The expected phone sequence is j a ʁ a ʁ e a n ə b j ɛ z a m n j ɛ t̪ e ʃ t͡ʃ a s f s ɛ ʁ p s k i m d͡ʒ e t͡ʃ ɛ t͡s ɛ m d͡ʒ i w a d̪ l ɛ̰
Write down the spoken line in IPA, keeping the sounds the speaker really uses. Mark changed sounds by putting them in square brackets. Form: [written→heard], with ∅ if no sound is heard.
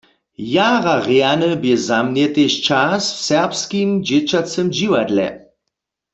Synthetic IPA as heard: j a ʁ a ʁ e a n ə b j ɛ z a m n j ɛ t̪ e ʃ t͡ʃ a s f s ɛ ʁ p s k i m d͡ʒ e t͡ʃ [ɛ→a] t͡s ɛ m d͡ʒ i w a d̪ l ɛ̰